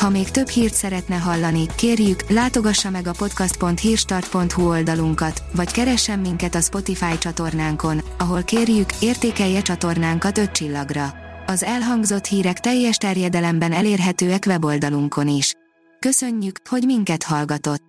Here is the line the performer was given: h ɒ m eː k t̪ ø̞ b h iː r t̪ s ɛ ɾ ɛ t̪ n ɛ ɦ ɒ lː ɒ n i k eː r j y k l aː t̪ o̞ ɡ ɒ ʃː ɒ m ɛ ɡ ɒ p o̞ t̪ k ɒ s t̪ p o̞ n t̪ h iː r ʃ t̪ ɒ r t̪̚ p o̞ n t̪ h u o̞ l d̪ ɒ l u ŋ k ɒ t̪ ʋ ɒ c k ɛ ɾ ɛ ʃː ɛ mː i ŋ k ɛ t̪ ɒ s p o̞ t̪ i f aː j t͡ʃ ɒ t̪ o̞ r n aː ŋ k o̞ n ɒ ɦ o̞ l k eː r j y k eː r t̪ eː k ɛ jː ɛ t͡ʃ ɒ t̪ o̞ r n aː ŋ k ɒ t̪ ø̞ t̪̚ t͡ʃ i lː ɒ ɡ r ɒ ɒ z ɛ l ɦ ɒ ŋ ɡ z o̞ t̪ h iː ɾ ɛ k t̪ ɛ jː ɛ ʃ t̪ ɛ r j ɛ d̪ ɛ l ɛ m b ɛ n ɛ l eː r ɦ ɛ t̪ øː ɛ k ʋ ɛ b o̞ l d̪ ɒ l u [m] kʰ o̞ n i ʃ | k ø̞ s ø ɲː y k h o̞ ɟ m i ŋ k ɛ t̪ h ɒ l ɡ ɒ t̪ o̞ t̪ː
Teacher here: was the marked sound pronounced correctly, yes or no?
no